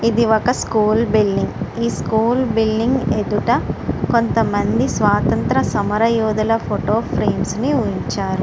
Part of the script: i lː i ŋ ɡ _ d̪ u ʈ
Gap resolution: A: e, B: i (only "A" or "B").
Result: A